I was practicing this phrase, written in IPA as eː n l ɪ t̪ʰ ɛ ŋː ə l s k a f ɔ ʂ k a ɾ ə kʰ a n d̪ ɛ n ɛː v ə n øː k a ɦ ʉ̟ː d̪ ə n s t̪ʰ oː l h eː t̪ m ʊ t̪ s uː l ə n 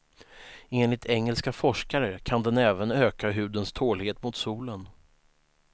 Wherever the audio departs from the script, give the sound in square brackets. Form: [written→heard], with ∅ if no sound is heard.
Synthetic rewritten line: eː n l ɪ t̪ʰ ɛ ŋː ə l s k a f ɔ ʂ k a ɾ ə kʰ a n d̪ ɛ n ɛː v ə n øː k a ɦ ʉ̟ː d̪ ə n s t̪ʰ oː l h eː t̪ m ʊ t̪ s uː l ə n